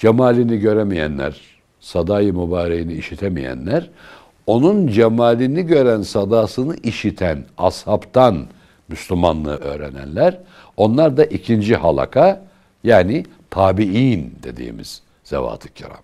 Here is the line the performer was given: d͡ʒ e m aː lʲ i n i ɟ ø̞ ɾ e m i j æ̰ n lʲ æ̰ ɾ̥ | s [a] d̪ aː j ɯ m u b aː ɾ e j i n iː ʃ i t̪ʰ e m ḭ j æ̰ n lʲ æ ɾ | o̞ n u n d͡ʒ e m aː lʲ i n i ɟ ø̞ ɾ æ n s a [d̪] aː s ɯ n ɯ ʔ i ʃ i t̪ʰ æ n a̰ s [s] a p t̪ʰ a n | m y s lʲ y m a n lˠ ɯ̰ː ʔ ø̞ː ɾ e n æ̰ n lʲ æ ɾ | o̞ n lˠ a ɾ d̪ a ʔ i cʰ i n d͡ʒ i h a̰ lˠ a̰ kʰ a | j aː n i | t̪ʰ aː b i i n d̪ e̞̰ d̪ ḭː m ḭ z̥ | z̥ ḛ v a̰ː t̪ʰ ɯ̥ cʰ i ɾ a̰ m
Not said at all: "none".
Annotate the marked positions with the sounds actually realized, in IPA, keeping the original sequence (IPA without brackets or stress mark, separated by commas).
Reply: a, d̪, h